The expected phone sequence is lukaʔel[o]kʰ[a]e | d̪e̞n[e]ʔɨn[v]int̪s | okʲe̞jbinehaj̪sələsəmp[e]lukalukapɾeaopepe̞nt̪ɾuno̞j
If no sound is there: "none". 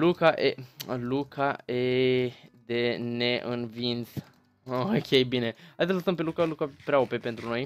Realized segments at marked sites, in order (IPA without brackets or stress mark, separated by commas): u, a, e, v, e